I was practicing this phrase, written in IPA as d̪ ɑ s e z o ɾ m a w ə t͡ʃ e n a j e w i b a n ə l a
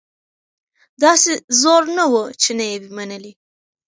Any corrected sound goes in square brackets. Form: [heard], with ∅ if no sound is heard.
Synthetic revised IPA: d̪ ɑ s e z o ɾ [n] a w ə t͡ʃ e n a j e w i [m] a n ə l [i]